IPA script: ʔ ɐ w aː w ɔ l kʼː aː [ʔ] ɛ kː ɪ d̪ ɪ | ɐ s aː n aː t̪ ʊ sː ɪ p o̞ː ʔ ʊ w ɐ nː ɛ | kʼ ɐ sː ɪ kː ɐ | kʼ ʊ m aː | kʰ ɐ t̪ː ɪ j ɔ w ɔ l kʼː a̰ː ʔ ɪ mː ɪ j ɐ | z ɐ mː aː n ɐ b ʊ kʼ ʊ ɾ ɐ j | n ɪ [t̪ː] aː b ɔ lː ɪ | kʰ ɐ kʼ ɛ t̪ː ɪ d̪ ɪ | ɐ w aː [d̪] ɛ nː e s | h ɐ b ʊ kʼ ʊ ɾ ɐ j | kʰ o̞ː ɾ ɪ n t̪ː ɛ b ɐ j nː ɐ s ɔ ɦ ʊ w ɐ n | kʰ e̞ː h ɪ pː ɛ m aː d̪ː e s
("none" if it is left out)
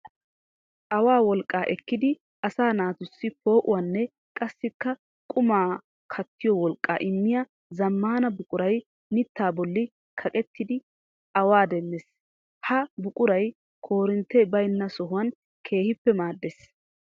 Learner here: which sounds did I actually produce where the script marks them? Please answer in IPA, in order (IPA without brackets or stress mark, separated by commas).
ʔ, t̪ː, d̪